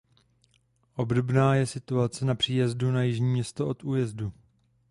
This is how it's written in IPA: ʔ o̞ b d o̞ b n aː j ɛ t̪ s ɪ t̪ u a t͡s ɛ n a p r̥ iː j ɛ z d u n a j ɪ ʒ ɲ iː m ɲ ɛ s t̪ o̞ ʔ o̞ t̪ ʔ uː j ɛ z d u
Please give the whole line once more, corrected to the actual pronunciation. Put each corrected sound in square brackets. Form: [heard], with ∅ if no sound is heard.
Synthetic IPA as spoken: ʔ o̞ b d o̞ b n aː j ɛ [∅] s ɪ t̪ u a t͡s ɛ n a p r̥ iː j ɛ z d u n a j ɪ ʒ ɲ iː m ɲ ɛ s t̪ o̞ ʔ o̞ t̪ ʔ uː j ɛ z d u